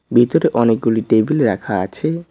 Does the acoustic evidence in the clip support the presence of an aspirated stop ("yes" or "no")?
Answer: yes